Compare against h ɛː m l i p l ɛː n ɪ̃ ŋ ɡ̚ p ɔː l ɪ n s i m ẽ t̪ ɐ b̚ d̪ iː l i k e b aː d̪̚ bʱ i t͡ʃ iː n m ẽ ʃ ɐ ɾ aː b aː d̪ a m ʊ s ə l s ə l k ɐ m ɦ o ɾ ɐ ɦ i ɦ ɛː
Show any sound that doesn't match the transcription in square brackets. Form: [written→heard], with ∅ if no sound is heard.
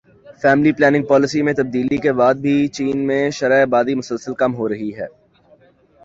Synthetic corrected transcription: [h→f] ɛː m l i p l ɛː n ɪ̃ ŋ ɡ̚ p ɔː l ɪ [n→∅] s i m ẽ t̪ ɐ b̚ d̪ iː l i k e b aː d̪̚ bʱ i t͡ʃ iː n m ẽ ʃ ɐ ɾ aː b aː d̪ [a→i] m ʊ s ə l s ə l k ɐ m ɦ o ɾ ɐ ɦ i ɦ ɛː